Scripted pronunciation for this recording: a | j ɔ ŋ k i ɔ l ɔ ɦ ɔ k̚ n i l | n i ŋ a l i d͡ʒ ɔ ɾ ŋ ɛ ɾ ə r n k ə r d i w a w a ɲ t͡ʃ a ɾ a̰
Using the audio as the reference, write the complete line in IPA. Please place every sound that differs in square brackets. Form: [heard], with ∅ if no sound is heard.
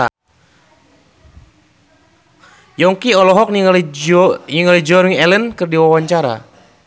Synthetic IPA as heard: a | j ɔ ŋ k i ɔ l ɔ ɦ ɔ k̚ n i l | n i ŋ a l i d͡ʒ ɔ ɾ ŋ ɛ [l] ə [∅] n k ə r d i w a w a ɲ t͡ʃ a ɾ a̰